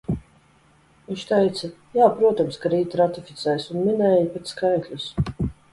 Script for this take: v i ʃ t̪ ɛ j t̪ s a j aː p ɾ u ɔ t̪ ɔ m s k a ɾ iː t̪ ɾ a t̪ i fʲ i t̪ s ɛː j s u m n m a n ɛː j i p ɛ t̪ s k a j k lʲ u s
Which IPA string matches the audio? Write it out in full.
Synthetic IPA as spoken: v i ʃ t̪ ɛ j t̪ s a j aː p ɾ u ɔ t̪ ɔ m s k a ɾ iː t̪ ɾ a t̪ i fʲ i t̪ s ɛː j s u n m i n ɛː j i p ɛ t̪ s k a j k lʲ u s

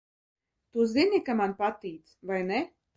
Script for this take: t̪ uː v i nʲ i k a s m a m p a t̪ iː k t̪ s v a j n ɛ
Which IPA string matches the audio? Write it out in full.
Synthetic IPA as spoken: t̪ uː z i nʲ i k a m a n p a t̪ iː t̪ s v a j n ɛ

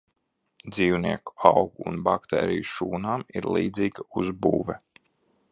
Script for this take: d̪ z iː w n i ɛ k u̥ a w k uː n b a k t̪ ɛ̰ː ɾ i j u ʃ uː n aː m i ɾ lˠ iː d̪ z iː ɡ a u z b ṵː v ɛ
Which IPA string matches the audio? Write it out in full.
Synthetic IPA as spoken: d̪ z iː w n i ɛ k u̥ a w ɡ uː n b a k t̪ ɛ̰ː ɾ i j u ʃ uː n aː m i ɾ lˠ iː d̪ z iː ɡ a u z b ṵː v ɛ

